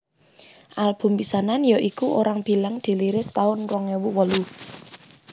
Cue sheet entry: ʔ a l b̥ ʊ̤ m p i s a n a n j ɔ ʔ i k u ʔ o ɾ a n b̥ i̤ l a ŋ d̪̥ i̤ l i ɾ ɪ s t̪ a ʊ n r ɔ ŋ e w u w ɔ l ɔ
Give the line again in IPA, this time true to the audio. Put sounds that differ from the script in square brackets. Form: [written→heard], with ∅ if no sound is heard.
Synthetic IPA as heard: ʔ a l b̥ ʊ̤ m p i s a n a n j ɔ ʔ i k u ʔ o ɾ a [n→ŋ] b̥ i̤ l a ŋ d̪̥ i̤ l i ɾ ɪ s t̪ a ʊ n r ɔ ŋ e w u w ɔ l [ɔ→u]